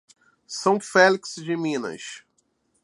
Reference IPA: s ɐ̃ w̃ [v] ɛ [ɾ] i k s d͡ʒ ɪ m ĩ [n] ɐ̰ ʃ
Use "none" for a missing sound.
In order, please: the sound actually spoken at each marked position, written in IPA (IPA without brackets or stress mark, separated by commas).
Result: f, l, n